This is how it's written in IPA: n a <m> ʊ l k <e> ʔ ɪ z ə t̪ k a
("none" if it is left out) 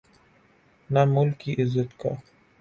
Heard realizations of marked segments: m, i

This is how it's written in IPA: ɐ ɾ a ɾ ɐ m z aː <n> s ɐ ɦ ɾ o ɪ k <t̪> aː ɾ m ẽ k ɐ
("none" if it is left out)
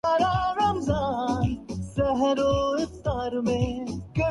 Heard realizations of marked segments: n, t̪

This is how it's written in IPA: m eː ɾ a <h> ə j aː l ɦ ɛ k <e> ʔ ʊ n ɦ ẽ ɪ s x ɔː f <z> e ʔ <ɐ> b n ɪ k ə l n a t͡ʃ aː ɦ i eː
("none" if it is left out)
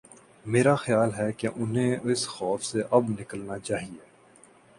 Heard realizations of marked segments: x, e, s, ɐ

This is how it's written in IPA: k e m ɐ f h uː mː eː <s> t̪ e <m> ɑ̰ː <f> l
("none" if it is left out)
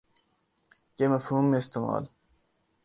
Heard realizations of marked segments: s, m, none

